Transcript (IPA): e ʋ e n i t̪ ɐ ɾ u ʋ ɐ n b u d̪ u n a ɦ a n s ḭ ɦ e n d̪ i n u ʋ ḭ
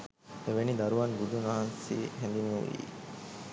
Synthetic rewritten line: e ʋ e n i d̪ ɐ ɾ u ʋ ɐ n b u d̪ u n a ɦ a n s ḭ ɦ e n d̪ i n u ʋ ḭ